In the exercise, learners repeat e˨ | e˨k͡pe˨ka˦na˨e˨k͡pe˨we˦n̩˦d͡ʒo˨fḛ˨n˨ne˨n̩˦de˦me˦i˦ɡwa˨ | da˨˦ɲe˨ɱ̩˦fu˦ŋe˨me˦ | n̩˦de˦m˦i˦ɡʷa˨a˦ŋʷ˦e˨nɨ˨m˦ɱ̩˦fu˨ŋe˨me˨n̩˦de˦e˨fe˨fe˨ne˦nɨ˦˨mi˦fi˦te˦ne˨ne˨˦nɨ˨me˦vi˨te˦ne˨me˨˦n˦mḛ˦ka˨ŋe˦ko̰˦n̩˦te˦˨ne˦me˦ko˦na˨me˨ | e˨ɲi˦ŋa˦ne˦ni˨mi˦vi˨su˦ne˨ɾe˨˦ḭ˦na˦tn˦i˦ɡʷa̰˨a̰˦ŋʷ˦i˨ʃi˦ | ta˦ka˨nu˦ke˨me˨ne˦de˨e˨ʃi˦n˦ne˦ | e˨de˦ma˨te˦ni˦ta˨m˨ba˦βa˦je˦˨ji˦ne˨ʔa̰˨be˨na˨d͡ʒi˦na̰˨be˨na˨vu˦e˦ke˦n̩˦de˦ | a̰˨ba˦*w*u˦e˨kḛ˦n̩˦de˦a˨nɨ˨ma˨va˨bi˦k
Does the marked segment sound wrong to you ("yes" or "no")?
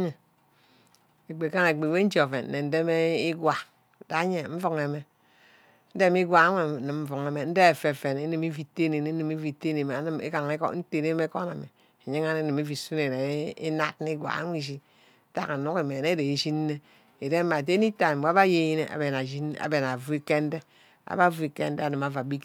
yes